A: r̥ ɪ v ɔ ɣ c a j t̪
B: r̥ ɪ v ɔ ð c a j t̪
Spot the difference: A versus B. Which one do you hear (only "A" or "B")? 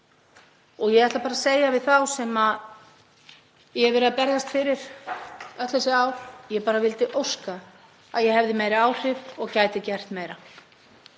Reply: A